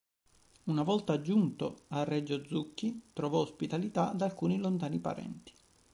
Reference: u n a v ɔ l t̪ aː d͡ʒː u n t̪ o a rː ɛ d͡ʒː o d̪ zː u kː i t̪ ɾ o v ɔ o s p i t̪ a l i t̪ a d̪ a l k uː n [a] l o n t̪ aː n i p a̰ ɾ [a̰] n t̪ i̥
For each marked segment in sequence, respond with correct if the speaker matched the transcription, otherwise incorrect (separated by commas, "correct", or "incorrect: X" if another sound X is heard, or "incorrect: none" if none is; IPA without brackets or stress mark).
incorrect: i, incorrect: ɛ̰